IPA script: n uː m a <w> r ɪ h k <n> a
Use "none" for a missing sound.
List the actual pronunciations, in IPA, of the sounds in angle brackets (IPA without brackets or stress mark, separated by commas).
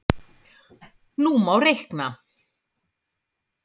w, n